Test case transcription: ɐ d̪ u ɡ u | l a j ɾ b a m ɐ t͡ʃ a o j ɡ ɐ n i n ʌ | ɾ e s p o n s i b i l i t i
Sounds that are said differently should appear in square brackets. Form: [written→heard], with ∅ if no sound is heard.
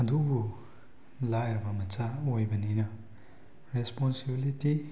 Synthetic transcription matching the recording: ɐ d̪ u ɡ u | l a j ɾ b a m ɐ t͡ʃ a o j [ɡ→b] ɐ n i n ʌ | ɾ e s p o n s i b i l i t i